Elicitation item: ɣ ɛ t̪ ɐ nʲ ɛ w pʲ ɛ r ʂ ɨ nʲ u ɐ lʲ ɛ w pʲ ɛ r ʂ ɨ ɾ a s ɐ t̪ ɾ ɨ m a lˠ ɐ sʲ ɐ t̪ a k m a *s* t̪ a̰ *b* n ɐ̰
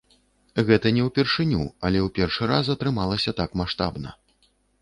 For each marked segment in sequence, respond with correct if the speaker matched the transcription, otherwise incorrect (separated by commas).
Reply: incorrect, correct